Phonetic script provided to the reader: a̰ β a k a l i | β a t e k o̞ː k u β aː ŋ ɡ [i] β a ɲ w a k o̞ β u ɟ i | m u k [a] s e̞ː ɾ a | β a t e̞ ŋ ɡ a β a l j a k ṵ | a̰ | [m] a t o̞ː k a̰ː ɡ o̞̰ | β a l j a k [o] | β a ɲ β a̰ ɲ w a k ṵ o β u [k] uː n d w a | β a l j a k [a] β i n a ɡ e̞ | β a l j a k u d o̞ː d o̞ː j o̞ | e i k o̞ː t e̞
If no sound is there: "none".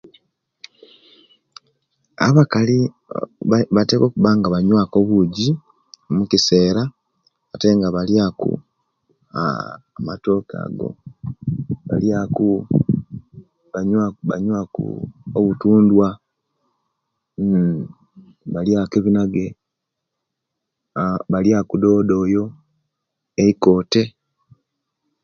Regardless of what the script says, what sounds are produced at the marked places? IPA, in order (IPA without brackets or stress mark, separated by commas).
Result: a, i, m, u, t, e